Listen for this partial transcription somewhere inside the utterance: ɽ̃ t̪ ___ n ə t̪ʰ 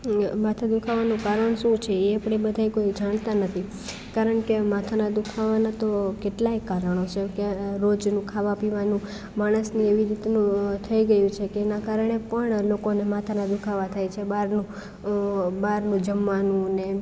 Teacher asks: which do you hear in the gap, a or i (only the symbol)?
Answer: a